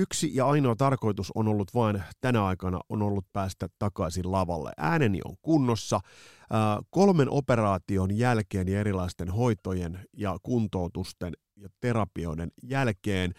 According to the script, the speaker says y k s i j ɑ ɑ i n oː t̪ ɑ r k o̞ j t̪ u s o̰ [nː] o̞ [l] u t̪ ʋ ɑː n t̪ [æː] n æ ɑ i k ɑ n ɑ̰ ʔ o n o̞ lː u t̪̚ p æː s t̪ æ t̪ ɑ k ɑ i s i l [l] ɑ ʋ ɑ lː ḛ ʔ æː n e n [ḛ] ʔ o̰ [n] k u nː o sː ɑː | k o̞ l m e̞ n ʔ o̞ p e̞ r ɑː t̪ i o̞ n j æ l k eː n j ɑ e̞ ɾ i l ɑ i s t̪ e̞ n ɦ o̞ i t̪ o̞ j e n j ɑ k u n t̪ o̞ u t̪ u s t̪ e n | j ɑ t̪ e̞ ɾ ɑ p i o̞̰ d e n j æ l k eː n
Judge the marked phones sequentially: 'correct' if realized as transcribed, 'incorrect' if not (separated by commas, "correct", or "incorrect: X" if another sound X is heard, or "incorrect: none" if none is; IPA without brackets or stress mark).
incorrect: n, incorrect: lː, incorrect: æ, correct, incorrect: ḭ, incorrect: ŋ